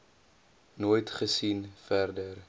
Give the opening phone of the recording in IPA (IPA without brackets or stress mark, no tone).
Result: n